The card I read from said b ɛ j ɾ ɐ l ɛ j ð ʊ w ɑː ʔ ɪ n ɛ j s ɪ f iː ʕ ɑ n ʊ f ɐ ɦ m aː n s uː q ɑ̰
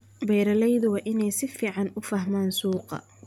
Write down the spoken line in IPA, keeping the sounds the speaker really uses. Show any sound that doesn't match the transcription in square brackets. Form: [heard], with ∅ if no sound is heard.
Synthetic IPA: b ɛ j ɾ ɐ l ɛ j ð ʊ w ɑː ʔ ɪ n ɛ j s ɪ f iː ʕ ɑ n ʊ f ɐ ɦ m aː n s uː q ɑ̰